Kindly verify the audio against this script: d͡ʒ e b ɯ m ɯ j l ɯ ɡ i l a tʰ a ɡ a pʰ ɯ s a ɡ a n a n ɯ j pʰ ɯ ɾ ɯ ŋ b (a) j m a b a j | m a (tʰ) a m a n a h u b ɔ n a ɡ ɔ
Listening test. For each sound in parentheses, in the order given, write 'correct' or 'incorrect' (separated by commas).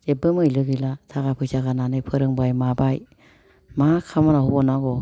correct, incorrect